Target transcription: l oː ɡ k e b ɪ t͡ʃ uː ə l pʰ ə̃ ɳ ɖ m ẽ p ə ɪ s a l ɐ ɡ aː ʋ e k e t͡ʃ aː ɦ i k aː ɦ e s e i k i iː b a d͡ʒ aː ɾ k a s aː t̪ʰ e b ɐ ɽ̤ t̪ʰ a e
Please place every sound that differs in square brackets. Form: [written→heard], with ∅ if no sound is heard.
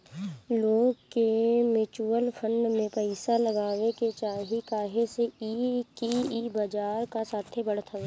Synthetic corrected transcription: l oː ɡ k e [b→m] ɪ t͡ʃ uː ə l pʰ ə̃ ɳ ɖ m ẽ p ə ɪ s a l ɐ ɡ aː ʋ e k e t͡ʃ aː ɦ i k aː ɦ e s e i k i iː b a d͡ʒ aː ɾ k a s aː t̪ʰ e b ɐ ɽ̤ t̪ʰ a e